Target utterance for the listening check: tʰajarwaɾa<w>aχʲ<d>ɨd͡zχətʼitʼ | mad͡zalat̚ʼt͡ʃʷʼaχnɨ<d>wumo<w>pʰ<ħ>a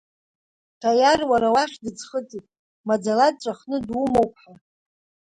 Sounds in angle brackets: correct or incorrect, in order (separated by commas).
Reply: correct, correct, correct, correct, correct